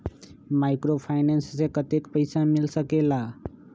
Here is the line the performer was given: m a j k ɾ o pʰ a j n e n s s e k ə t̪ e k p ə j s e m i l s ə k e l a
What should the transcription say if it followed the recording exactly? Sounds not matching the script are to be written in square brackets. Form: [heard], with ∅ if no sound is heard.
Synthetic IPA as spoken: m a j k ɾ o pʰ a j n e n s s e k ə t̪ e k p ə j s [a] m i l s ə k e l a